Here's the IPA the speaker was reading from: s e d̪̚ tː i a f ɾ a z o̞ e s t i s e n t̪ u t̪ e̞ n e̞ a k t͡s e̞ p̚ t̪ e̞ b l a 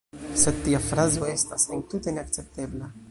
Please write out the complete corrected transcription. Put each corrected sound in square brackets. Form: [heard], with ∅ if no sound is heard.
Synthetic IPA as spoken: s e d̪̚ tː i a f ɾ a z o̞ e s t [a] s e n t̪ u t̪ e̞ n e̞ a k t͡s e̞ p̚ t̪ e̞ b l a